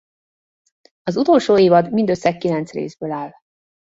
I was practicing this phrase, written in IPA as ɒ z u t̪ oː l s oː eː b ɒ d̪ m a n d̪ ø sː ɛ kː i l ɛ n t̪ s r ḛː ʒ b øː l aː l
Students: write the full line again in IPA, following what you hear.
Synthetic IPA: ɒ z u t̪ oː l ʃ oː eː v ɒ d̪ m i n d̪ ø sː ɛ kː i l ɛ n t̪ s r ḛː z b øː l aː l